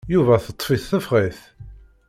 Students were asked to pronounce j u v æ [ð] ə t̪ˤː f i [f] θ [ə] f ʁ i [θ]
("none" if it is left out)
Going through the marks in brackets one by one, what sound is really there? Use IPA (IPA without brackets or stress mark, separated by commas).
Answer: θ, θ, ə, θ